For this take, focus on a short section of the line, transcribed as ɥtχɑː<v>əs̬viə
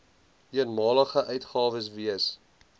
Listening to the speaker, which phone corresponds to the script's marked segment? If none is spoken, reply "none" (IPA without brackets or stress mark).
v